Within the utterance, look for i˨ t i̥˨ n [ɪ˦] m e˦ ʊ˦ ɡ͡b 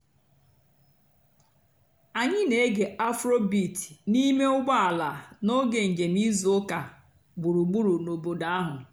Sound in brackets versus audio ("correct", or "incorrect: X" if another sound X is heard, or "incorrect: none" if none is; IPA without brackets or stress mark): incorrect: i˦